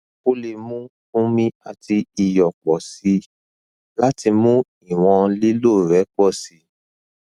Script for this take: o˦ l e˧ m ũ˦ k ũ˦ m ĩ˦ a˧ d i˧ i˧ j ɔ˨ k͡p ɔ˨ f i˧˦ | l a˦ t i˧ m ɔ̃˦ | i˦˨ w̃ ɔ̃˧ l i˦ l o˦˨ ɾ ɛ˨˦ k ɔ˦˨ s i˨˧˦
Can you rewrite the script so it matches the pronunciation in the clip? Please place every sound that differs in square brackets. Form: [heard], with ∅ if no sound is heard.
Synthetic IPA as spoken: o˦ l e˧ m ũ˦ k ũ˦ m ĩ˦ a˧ [t] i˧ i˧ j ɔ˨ k͡p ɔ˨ [s] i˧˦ | l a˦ t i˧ m [ũ˦] | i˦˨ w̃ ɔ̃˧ l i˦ l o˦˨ ɾ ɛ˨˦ [k͡p] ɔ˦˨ s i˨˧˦